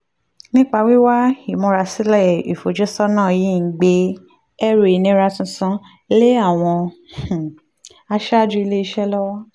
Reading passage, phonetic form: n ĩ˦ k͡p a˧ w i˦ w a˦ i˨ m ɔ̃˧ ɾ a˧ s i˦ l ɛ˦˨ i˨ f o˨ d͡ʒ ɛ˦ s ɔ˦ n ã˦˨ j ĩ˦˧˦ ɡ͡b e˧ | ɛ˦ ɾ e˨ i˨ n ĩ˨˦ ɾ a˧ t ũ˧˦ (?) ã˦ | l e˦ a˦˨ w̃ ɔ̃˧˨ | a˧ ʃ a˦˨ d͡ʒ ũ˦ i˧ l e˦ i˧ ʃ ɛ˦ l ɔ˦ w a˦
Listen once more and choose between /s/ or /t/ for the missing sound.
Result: s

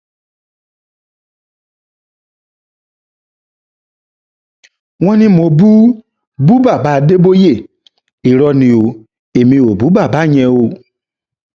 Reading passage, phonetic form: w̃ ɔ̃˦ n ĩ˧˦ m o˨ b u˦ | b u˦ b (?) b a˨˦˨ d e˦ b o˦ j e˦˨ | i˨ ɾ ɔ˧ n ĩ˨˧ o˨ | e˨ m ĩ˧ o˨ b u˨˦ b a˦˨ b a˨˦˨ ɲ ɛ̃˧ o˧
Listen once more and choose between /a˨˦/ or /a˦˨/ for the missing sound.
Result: a˦˨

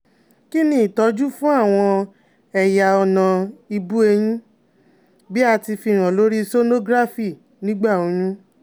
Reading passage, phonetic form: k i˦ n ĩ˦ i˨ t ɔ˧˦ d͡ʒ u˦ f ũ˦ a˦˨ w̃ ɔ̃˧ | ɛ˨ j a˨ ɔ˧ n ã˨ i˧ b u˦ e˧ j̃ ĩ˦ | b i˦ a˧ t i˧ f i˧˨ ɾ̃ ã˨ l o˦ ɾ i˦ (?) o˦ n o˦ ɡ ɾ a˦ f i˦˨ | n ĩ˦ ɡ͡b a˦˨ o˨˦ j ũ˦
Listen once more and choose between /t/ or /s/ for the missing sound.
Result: s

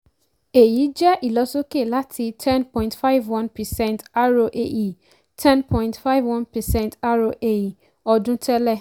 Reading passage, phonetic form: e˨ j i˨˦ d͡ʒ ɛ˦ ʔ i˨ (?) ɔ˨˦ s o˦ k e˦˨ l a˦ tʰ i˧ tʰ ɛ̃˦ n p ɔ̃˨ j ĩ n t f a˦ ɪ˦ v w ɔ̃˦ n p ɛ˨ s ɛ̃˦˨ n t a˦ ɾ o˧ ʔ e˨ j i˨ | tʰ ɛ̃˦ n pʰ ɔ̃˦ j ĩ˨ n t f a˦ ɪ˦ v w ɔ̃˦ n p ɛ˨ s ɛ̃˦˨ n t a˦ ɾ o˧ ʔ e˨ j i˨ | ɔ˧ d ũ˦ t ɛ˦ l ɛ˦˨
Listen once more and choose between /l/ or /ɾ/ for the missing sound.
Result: l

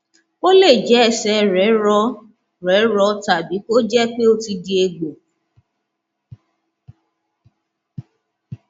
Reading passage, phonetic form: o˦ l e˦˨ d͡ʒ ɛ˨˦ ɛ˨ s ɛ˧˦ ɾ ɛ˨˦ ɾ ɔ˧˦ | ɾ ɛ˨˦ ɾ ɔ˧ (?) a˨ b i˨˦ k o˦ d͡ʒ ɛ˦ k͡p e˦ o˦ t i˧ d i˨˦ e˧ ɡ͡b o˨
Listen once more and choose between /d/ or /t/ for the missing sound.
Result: t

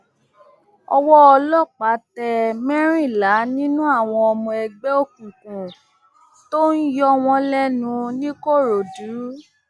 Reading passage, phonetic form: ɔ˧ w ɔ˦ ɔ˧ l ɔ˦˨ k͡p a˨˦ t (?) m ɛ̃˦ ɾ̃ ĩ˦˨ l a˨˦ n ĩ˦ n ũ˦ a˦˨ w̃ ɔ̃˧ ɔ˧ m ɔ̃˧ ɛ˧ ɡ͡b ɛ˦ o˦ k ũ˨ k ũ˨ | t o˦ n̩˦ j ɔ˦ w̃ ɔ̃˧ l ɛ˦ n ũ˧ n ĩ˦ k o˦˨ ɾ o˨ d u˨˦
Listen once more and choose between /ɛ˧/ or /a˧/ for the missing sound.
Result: ɛ˧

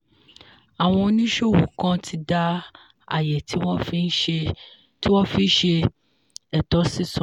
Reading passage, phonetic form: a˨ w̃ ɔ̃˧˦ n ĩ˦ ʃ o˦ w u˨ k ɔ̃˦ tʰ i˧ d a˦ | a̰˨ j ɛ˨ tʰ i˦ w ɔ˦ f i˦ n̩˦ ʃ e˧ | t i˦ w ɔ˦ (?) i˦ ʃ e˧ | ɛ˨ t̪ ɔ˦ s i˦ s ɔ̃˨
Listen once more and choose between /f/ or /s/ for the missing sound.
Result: f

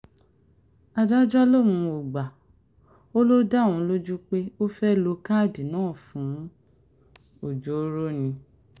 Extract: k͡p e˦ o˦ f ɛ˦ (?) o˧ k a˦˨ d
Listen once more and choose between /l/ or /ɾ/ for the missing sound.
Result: l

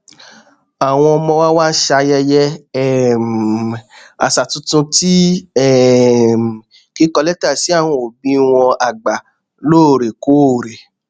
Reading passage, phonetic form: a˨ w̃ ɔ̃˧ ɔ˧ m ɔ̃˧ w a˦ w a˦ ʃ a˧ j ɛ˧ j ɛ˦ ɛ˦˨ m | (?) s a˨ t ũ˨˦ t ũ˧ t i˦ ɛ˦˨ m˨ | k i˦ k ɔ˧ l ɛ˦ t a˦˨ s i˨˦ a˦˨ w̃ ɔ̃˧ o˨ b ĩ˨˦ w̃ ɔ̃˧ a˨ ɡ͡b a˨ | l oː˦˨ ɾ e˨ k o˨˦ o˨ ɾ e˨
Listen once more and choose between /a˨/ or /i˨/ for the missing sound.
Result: a˨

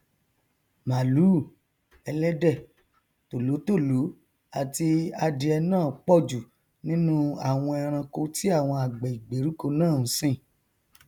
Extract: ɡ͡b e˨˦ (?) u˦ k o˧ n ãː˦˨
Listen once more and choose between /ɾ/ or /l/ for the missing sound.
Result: ɾ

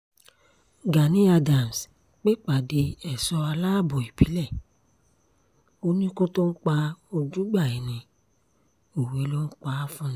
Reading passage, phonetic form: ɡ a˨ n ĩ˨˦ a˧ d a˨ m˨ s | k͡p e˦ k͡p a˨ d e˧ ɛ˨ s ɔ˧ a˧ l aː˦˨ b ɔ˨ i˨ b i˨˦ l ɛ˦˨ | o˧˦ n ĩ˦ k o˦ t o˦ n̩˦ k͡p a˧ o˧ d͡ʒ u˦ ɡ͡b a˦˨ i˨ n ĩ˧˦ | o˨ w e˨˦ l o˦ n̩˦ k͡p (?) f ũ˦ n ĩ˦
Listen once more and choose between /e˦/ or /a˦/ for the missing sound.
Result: a˦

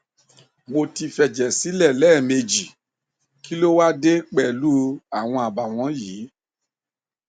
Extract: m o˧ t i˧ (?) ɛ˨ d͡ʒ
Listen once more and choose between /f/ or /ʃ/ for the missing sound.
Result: f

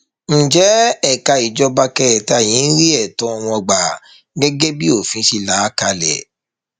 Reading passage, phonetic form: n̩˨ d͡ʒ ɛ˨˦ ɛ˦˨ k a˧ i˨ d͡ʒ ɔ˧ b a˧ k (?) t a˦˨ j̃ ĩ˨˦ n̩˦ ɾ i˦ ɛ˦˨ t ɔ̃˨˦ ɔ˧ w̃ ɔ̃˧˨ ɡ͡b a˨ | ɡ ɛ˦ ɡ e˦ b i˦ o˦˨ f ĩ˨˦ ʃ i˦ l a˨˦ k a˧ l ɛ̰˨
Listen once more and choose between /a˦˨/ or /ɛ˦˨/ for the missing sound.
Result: ɛ˦˨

